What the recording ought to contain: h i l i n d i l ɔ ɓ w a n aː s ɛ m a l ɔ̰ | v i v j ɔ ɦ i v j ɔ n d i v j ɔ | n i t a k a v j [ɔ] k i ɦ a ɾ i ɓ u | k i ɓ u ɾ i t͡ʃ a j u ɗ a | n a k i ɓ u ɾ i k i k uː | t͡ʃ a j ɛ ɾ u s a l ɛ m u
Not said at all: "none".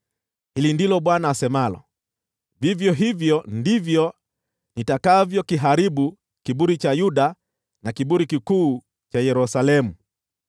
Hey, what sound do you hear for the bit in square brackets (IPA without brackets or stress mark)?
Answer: ɔ